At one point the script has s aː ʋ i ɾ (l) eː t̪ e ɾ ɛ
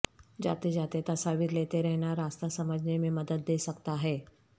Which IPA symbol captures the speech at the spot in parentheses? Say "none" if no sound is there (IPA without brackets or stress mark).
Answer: l